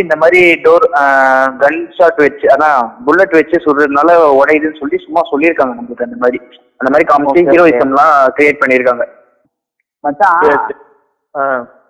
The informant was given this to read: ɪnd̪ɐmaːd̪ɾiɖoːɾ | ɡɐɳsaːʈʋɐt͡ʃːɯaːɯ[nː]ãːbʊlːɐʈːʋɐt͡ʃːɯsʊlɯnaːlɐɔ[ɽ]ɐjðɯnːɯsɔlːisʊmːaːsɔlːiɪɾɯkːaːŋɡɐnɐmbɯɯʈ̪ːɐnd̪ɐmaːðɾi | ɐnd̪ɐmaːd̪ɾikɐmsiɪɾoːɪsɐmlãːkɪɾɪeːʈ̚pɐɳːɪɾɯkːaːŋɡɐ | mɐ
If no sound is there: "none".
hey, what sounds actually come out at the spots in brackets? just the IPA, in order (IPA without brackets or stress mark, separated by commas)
n, ɽ